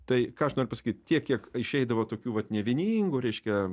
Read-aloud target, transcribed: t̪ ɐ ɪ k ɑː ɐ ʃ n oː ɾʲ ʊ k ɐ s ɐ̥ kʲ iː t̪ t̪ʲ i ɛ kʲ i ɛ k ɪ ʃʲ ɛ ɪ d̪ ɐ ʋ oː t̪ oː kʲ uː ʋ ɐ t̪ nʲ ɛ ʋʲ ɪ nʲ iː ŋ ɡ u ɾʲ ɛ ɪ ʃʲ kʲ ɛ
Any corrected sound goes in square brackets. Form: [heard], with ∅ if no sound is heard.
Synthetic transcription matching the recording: t̪ ɐ ɪ k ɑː ɐ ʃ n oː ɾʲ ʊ [p] ɐ s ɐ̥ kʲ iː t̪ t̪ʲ i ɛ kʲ i ɛ k ɪ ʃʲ ɛ ɪ d̪ ɐ ʋ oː t̪ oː kʲ uː ʋ ɐ t̪ nʲ ɛ ʋʲ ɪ nʲ iː ŋ ɡ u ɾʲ ɛ ɪ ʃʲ kʲ ɛ